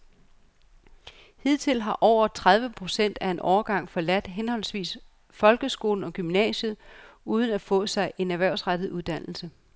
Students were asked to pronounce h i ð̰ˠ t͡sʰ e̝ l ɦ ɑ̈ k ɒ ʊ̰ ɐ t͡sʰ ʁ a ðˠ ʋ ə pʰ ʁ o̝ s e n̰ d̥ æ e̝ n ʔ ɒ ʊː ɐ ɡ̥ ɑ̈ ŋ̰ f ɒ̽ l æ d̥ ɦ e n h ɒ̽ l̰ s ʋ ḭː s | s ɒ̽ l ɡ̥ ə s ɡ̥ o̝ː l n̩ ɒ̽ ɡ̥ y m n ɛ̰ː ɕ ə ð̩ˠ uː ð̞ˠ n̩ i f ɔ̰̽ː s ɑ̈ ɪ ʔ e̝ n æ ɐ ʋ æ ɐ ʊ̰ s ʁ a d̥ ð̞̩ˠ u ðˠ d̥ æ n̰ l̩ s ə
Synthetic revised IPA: h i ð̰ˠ t͡sʰ e̝ l ɦ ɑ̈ ʔ ɒ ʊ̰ ɐ t͡sʰ ʁ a ðˠ ʋ ə pʰ ʁ o̝ s e n̰ d̥ æ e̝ n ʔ ɒ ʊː ɐ ɡ̥ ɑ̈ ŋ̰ f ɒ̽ l æ d̥ ɦ e n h ɒ̽ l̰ s ʋ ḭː s | f ɒ̽ l ɡ̥ ə s ɡ̥ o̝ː l n̩ ɒ̽ ɡ̥ y m n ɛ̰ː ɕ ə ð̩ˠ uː ð̞ˠ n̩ æ f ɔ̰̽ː s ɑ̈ ɪ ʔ e̝ n æ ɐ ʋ æ ɐ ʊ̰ s ʁ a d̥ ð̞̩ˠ u ðˠ d̥ æ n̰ l̩ s ə